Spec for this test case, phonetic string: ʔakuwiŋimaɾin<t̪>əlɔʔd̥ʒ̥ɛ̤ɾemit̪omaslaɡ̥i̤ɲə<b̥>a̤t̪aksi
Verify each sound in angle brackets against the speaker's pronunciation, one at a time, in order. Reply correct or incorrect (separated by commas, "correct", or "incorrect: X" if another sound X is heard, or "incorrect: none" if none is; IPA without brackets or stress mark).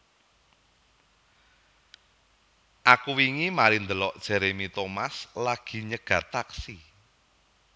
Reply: incorrect: d̪, incorrect: ɡ̥